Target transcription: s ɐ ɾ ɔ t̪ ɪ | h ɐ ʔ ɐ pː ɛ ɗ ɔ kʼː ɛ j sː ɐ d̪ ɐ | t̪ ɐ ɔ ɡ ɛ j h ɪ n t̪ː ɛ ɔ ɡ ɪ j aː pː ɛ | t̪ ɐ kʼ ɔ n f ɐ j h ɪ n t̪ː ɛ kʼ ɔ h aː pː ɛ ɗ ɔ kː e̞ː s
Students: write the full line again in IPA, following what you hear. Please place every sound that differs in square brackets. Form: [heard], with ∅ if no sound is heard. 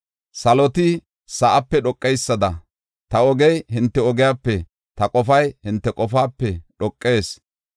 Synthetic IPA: s ɐ [l] ɔ t̪ ɪ | [s] ɐ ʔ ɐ pː ɛ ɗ ɔ kʼː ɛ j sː ɐ d̪ ɐ | t̪ ɐ ɔ ɡ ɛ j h ɪ n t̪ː ɛ ɔ ɡ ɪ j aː pː ɛ | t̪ ɐ kʼ ɔ [∅] f ɐ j h ɪ n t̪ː ɛ kʼ ɔ [f] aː pː ɛ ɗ ɔ [kʼː] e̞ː s